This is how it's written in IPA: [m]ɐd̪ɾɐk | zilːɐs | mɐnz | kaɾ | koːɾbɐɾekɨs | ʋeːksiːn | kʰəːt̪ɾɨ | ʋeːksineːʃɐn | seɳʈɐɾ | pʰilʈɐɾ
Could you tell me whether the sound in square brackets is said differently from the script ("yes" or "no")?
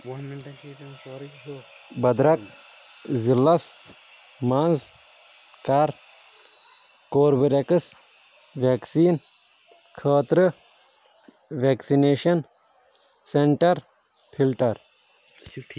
yes